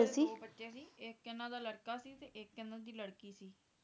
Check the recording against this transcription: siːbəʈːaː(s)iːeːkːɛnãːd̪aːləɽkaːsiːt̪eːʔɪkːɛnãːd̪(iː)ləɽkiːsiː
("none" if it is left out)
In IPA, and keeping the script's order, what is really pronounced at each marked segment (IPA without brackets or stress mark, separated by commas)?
s, iː